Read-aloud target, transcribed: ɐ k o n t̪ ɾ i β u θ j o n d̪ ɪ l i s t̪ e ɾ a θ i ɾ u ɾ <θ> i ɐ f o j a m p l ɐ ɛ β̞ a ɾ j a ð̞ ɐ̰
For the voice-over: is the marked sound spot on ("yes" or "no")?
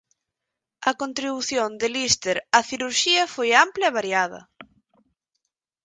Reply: no